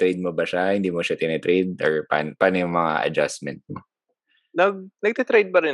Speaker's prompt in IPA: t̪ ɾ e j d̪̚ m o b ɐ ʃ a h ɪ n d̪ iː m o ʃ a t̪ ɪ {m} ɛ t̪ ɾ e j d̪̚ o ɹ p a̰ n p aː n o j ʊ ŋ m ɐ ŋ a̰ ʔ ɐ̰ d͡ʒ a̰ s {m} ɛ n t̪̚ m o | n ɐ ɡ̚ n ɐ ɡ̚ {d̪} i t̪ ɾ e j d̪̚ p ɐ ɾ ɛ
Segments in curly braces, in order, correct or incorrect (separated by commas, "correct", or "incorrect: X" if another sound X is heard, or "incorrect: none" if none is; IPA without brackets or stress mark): incorrect: n, correct, incorrect: t̪